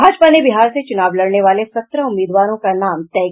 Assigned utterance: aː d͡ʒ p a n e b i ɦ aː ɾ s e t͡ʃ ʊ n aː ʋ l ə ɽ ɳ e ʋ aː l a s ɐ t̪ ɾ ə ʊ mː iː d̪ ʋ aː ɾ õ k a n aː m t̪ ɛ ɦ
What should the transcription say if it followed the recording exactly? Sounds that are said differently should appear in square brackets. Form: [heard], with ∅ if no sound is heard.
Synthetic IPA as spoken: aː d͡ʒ p a n e b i ɦ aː ɾ s e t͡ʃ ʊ n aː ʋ l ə ɽ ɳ e ʋ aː l [e] s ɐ t̪ ɾ ə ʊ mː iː d̪ ʋ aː ɾ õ k a n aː m t̪ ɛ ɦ